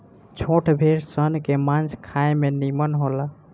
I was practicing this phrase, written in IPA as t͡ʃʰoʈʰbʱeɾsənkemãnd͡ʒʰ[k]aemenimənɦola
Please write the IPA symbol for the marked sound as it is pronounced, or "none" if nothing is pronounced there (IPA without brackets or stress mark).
kʰ